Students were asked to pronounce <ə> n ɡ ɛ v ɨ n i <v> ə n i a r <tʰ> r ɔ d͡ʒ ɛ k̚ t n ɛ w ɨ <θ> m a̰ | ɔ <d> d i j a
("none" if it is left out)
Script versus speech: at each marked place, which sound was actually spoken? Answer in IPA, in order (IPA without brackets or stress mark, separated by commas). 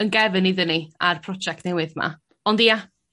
ə, ð, pʰ, ð, n